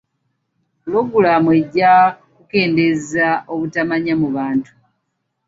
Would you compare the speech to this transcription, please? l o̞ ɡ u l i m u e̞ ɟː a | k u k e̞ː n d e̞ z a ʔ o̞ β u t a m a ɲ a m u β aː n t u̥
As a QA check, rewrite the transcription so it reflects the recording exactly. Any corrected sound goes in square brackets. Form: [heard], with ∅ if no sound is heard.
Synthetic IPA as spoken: l o̞ ɡ u l [a] m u e̞ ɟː a | k u k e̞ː n d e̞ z a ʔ o̞ β u t a m a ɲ a m u β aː n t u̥